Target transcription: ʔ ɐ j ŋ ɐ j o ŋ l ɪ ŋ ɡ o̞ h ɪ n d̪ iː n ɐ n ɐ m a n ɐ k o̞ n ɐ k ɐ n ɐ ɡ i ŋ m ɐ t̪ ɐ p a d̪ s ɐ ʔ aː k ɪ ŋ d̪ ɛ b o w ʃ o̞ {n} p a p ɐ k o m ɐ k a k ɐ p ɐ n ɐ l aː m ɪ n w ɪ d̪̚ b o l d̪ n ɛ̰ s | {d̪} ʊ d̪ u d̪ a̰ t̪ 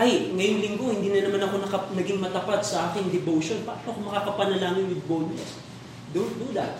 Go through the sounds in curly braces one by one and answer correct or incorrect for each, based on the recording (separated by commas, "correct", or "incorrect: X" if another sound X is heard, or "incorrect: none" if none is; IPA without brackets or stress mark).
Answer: correct, correct